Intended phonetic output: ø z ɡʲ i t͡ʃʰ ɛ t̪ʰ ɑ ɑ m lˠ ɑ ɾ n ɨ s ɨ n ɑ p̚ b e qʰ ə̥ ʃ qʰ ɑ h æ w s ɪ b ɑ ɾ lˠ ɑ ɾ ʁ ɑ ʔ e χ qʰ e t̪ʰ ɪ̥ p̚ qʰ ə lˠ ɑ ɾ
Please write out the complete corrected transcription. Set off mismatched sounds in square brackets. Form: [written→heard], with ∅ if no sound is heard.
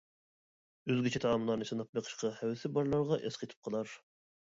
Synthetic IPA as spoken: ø z ɡʲ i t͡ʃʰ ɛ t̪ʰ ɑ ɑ m lˠ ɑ ɾ n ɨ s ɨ n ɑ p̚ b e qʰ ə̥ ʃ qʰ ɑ h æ w s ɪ b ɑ ɾ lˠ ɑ ɾ ʁ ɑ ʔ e [χ→s] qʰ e t̪ʰ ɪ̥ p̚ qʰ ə lˠ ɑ ɾ